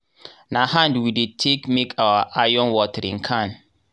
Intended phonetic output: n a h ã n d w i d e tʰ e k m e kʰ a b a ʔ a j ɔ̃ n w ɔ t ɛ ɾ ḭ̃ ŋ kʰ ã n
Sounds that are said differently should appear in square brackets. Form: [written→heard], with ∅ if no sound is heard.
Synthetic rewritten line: n a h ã n d w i d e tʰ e k m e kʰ a [b→w] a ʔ a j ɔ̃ n w ɔ t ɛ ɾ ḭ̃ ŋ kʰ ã n